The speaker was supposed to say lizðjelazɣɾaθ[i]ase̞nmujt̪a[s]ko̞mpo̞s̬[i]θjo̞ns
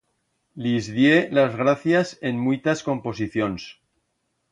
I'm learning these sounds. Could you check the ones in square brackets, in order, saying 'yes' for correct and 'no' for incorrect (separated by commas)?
no, yes, yes